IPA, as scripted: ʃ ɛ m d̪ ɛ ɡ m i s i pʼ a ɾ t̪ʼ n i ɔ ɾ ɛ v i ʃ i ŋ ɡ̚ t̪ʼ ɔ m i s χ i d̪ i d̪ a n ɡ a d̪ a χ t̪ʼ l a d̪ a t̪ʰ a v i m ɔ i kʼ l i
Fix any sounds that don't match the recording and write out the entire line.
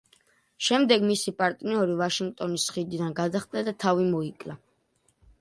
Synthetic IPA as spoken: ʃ ɛ m d̪ ɛ ɡ m i s i pʼ a ɾ t̪ʼ n i ɔ ɾ i v a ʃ i ŋ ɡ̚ t̪ʼ ɔ n i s χ i d̪ i d̪ a n ɡ a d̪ a χ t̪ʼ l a d̪ a t̪ʰ a v i m ɔ i kʼ l a